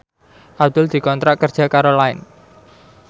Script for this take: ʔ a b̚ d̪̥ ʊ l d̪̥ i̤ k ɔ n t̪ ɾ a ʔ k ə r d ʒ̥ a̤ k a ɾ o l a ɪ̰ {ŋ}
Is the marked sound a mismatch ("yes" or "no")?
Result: yes